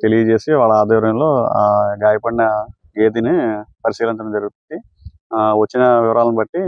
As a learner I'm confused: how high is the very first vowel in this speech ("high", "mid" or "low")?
mid